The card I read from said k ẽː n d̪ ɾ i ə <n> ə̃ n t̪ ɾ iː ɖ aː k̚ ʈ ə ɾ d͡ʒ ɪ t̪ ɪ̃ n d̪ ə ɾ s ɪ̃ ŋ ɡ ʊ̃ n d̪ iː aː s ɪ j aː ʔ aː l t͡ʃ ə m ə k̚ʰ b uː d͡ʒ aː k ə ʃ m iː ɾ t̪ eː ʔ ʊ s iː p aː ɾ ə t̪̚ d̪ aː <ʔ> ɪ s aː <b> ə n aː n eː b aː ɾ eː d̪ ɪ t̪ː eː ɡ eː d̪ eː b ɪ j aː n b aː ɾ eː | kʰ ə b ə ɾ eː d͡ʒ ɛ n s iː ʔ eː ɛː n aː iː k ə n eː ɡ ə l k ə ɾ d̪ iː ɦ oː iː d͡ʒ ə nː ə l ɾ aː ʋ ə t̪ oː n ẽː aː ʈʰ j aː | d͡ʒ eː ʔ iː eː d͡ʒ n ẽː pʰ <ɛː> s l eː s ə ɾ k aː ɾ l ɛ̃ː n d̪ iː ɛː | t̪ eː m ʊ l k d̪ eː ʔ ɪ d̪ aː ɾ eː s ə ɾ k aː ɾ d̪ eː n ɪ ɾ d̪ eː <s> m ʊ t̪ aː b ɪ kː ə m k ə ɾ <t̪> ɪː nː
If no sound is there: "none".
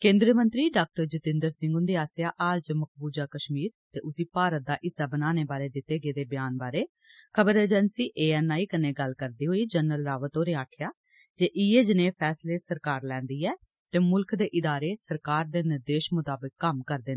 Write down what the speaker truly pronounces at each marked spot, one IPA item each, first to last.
m, ʔ, b, ɛː, ʃ, d̪

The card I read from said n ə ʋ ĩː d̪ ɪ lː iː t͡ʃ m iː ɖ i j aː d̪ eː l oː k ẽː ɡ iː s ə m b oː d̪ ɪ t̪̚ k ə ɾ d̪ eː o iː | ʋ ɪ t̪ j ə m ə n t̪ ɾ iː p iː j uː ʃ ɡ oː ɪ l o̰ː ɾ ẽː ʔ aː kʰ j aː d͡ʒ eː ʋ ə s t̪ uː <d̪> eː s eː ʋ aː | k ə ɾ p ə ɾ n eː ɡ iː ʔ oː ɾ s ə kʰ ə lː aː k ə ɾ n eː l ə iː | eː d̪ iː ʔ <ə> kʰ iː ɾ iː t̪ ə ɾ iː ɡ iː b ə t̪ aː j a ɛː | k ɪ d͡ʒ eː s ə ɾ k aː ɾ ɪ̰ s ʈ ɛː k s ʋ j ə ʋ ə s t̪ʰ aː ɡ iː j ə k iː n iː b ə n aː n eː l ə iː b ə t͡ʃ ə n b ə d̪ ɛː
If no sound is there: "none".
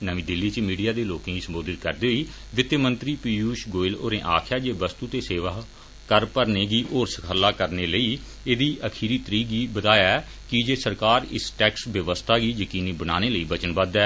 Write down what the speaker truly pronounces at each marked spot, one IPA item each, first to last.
t̪, ə

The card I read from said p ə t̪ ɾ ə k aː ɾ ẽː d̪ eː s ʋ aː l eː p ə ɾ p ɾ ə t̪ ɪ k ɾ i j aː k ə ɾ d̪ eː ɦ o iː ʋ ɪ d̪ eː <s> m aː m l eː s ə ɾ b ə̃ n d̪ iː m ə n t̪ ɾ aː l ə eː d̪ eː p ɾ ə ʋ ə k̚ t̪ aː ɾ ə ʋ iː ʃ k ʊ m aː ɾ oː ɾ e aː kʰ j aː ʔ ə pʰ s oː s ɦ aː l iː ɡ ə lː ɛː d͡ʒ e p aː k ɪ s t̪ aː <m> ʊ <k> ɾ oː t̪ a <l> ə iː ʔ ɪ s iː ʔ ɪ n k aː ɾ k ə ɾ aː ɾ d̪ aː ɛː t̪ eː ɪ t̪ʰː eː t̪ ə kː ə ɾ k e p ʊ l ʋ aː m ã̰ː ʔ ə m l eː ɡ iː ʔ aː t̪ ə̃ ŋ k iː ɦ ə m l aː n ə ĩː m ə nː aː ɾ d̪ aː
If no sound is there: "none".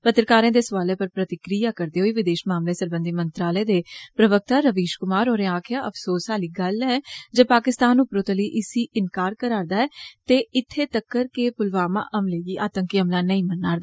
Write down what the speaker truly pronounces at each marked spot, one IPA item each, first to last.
ʃ, n, p, l

